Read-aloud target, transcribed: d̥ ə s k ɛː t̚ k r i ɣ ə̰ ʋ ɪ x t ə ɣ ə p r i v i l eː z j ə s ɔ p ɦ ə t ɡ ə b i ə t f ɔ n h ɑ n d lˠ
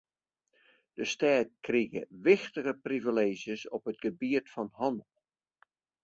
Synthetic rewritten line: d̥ ə s t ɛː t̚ k r i ɣ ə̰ ʋ ɪ x t ə ɣ ə p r i v i l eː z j ə s ɔ p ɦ ə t ɡ ə b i ə t f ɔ n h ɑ n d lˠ